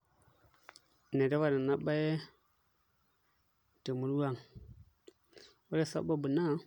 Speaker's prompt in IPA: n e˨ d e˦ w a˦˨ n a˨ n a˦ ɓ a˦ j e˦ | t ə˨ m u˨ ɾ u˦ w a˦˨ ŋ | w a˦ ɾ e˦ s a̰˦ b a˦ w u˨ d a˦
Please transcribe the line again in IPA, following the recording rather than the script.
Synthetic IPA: n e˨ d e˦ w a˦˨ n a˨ n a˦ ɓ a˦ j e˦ | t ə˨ m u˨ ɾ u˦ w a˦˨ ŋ | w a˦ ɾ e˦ s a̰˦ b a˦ b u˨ n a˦